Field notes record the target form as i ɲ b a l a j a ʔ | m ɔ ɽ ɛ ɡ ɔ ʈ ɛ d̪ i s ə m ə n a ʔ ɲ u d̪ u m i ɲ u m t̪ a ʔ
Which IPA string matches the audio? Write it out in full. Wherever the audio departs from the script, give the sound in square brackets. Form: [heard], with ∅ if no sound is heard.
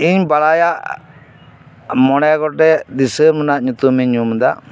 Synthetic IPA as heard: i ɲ b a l a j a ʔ | m ɔ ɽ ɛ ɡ ɔ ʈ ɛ d̪ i s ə m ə n a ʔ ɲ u [t̪] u m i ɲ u m [d̪] a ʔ